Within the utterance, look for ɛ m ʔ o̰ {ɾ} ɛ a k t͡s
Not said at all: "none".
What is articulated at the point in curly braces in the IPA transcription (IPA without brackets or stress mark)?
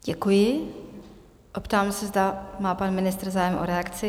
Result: ɾ